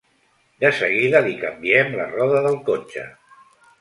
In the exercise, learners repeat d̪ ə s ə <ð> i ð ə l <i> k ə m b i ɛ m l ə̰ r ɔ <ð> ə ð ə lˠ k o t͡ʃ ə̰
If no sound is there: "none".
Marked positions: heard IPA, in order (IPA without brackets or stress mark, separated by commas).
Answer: ɣ, i, ð